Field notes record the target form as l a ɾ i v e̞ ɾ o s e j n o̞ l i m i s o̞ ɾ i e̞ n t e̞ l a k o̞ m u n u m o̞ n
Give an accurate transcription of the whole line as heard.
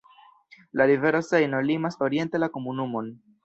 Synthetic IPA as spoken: l a ɾ i v e̞ ɾ o s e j n o̞ l i m a s o̞ ɾ i e̞ n t e̞ l a k o̞ m u n u m o̞ n